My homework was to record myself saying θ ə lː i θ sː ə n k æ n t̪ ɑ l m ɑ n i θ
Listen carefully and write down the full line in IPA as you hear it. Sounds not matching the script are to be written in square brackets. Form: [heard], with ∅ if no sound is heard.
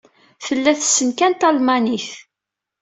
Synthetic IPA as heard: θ ə lː [æ] θ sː ə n k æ n t̪ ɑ l m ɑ n i θ